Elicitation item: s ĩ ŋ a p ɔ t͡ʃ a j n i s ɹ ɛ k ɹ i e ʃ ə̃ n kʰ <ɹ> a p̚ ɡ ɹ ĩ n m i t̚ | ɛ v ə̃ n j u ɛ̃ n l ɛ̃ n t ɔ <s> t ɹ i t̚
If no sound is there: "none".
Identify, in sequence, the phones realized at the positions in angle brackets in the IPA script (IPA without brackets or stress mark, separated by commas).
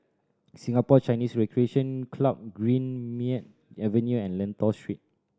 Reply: l, s